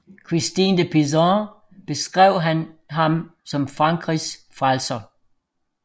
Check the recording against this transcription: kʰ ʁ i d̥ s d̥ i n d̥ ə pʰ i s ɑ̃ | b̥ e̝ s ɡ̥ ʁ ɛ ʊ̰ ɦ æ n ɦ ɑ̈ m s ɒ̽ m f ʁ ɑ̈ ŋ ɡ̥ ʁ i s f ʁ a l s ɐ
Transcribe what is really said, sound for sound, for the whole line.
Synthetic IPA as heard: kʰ ʁ i s d̥ i n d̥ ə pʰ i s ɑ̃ | b̥ e̝ s ɡ̥ ʁ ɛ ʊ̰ ɦ æ n ɦ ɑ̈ m s ɒ̽ m f ʁ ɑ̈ ŋ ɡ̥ ʁ i s f ʁ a l s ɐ